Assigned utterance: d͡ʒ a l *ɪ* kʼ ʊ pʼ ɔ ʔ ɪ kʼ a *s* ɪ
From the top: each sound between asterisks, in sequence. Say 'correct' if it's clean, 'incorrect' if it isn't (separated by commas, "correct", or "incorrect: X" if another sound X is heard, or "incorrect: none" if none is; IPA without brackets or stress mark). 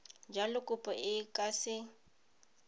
correct, correct